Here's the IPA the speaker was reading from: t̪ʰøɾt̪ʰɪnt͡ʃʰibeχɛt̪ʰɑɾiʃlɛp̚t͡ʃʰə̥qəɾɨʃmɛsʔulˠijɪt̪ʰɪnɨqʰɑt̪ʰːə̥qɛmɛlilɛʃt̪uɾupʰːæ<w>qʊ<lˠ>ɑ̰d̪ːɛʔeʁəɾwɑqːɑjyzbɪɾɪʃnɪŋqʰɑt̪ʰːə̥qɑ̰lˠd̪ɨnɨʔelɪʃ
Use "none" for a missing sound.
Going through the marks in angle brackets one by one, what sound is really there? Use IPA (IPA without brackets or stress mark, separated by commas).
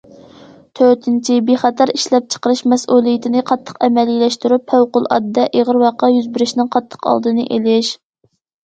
w, lˠ